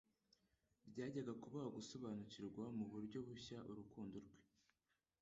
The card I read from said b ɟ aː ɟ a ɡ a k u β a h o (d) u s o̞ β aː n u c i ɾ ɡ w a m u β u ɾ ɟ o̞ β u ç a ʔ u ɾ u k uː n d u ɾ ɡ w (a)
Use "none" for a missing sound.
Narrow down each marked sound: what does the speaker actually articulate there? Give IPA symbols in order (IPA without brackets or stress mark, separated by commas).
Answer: ɡ, e